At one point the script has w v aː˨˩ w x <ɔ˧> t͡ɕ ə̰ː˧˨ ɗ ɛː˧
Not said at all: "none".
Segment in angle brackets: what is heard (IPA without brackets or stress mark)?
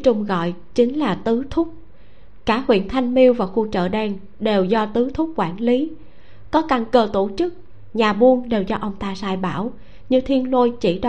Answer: u˧